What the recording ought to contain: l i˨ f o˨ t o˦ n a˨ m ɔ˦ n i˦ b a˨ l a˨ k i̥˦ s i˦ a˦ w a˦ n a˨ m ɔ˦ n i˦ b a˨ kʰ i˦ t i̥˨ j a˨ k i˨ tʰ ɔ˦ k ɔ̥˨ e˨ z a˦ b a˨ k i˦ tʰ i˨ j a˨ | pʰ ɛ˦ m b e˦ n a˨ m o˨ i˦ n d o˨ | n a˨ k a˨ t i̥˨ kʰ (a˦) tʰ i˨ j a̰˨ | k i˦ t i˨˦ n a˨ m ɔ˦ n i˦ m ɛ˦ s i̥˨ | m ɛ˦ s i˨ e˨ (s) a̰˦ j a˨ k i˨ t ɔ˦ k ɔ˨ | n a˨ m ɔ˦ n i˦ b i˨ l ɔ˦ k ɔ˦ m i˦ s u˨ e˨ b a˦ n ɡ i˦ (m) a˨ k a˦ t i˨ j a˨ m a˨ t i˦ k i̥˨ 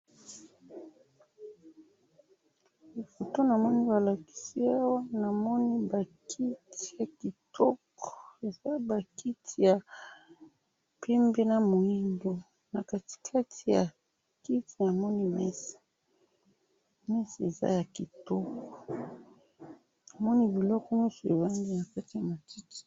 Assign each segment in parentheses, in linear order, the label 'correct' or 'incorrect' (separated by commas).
correct, incorrect, incorrect